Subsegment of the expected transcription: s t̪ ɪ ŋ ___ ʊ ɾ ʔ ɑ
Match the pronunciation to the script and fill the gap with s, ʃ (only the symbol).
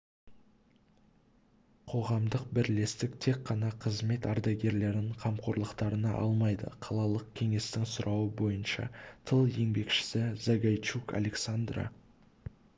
s